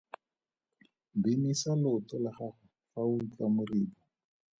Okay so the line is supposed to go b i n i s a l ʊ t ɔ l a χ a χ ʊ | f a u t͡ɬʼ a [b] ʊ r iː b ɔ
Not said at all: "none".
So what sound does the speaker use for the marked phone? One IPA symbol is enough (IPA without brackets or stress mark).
m